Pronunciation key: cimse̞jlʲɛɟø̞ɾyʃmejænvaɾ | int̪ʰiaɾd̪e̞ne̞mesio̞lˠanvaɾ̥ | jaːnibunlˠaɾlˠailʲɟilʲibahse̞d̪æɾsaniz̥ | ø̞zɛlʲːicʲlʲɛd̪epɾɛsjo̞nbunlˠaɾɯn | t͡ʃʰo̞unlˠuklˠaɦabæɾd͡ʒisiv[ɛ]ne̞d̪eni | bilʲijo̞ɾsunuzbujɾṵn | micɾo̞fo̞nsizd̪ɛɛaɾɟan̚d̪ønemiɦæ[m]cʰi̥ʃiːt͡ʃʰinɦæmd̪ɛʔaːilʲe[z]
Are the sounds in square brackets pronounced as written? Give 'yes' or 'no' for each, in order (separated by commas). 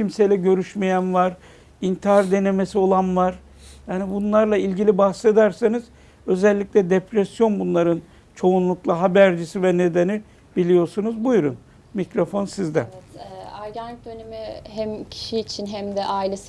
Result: yes, yes, no